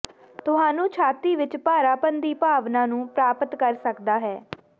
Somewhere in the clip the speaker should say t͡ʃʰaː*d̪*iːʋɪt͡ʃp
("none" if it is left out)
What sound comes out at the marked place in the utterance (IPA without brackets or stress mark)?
t̪